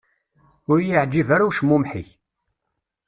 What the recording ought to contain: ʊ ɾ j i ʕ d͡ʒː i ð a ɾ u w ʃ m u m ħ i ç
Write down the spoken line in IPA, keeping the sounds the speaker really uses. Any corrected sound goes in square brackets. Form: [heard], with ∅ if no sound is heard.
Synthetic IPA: ʊ ɾ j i ʕ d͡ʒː i [v] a ɾ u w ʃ m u m ħ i ç